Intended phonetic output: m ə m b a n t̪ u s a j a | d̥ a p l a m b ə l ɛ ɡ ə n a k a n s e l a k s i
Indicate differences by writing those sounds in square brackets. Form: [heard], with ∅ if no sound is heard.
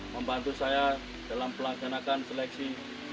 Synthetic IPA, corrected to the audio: m ə m b a n t̪ u s a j a | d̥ a [∅] l a m [p] ə l [a] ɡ [a] n a k a n s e l [ɛ] k s i